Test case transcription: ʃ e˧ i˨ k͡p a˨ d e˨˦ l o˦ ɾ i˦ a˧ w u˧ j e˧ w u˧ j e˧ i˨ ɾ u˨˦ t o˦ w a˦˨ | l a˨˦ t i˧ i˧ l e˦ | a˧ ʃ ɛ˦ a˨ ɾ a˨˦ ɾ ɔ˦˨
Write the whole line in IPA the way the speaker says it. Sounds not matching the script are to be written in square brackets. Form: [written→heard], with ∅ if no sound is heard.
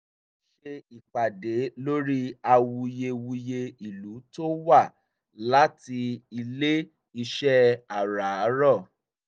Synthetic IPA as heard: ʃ e˧ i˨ k͡p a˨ d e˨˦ l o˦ ɾ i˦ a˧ w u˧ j e˧ w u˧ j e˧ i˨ [ɾ→l] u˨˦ t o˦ w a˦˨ | l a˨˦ t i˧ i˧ l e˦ | [a˧→i˧] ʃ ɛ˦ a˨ ɾ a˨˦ ɾ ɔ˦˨

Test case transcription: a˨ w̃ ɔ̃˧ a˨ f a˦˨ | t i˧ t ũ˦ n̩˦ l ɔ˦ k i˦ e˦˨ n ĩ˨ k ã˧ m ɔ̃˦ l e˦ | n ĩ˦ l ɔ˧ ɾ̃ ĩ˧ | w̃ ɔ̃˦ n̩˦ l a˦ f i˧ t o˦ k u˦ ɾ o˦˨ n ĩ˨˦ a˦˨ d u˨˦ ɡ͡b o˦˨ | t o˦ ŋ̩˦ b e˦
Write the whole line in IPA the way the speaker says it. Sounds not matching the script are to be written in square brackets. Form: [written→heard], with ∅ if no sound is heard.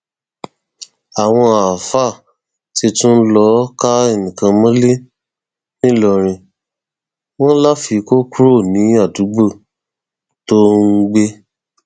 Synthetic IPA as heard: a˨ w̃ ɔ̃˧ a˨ f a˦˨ | t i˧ t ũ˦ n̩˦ l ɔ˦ k [i˦→a˦] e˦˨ n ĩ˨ k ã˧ m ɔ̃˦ l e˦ | n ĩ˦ l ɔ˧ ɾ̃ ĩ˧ | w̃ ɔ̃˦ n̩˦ l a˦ f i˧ [t→k] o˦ k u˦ ɾ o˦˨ n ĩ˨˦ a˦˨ d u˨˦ ɡ͡b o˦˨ | t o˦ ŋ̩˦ [b→ɡ͡b] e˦

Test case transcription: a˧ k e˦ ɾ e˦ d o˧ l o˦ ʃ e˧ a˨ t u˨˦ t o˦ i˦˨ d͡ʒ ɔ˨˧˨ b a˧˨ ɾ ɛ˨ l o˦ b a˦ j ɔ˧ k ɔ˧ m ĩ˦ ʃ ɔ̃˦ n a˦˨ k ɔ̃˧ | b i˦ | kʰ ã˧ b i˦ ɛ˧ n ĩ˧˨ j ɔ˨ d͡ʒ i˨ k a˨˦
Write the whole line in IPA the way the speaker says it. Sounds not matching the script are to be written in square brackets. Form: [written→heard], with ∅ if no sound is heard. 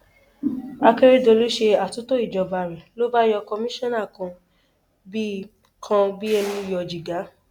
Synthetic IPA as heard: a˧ k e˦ ɾ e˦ d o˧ l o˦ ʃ e˧ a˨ t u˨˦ t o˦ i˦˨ d͡ʒ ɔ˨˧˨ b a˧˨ ɾ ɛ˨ l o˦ b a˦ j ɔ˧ k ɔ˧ m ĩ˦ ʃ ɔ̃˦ n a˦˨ k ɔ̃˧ | b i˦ | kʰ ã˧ b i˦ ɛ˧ n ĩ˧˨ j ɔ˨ d͡ʒ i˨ [k→ɡ] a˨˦

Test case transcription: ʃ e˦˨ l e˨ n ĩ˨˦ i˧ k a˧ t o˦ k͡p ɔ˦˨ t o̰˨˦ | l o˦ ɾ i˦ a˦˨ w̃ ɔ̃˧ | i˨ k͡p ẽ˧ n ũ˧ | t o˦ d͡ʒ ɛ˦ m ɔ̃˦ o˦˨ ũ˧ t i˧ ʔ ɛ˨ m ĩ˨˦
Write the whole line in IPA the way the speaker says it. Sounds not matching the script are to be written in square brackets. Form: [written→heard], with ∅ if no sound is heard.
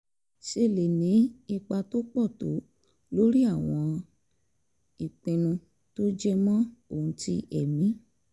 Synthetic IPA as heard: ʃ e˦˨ l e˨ n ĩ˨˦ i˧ [k→k͡p] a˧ t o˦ k͡p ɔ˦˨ t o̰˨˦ | l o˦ ɾ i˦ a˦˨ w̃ ɔ̃˧ | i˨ k͡p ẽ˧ n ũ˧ | t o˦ d͡ʒ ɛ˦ m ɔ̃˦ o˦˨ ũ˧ t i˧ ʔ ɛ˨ m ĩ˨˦

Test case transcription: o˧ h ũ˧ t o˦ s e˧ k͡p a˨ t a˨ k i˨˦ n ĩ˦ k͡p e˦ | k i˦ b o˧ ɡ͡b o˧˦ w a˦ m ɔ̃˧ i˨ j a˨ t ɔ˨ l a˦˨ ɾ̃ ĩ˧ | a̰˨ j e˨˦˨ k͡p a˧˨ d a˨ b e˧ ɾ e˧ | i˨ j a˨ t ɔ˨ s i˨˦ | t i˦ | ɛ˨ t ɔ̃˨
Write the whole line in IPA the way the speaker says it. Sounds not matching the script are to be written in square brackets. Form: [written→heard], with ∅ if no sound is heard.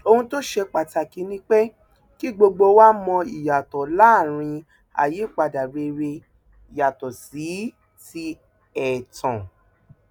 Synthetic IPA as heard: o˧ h ũ˧ t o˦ [s→ʃ] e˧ k͡p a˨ t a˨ k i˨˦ n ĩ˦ k͡p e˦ | k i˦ [b→ɡ͡b] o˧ ɡ͡b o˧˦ w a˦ m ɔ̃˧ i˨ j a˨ t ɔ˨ l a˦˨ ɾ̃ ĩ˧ | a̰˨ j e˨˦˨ k͡p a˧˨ d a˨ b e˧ ɾ e˧ | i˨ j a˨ t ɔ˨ s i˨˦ | t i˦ | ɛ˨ t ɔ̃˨

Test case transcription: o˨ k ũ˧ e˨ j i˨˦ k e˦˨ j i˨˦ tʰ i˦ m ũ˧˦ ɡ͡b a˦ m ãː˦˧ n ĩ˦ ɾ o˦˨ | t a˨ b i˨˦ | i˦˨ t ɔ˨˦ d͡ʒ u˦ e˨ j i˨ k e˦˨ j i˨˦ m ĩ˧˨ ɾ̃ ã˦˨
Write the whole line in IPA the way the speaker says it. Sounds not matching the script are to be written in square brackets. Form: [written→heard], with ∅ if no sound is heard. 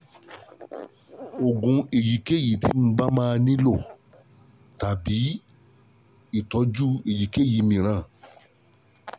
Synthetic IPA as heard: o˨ [k→ɡ] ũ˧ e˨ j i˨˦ k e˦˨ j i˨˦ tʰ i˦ m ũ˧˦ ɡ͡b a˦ m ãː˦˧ n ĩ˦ [ɾ→l] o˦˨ | t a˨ b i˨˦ | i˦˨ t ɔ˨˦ d͡ʒ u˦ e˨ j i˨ k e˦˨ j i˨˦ m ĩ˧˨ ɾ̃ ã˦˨

